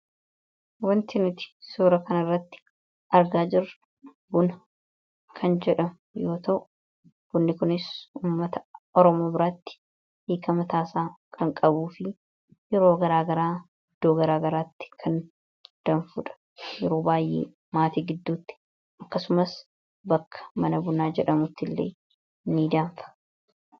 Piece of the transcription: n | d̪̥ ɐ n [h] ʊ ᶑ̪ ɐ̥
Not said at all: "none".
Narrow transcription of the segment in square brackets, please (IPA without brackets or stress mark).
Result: f